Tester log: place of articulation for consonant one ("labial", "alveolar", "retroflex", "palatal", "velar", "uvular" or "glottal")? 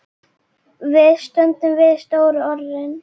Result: labial